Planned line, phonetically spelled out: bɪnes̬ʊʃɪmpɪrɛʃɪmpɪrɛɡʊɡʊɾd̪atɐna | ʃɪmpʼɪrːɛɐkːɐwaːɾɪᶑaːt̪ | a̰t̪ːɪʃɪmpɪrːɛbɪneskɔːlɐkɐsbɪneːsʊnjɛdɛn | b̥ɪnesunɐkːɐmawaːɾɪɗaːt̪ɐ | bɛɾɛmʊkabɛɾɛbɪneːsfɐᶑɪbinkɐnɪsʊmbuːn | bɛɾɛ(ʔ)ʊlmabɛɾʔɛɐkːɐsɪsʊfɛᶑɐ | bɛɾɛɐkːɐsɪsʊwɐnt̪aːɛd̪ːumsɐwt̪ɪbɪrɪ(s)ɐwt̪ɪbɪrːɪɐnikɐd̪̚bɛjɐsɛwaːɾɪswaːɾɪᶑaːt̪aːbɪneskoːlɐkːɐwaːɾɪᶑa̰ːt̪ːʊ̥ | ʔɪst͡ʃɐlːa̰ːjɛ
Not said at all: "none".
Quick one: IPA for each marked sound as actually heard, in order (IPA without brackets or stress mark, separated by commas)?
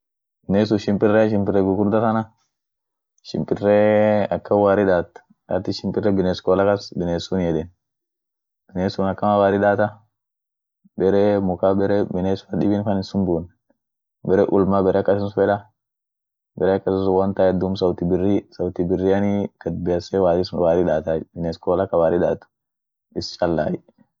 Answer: ʔ, s